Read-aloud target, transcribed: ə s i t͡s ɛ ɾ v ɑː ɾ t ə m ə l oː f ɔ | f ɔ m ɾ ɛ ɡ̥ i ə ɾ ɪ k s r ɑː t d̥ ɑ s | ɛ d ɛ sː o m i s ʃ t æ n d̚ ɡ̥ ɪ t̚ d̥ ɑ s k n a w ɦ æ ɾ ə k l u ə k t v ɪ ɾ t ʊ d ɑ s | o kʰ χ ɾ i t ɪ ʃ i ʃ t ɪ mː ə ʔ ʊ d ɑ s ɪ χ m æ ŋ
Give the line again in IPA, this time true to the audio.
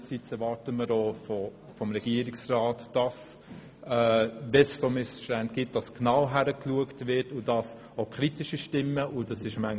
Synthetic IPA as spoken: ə s i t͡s ɛ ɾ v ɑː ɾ t ə m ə ɾ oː f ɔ | f ɔ m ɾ ɛ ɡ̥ i ə ɾ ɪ k s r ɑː t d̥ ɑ s | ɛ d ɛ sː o m ɪ s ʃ t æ n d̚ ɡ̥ ɪ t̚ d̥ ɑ s k n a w ɦ æ ɾ ə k l u ə k t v ɪ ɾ t ʊ d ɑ s | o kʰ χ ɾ i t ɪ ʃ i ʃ t ɪ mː ə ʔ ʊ d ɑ s ɪ ʃ m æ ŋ